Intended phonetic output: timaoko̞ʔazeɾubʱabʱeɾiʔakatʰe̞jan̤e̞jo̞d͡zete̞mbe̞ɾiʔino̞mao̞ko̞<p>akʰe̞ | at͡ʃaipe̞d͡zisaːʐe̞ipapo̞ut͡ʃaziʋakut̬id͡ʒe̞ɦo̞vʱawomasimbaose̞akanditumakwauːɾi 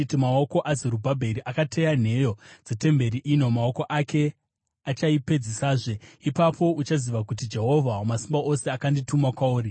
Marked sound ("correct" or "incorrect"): incorrect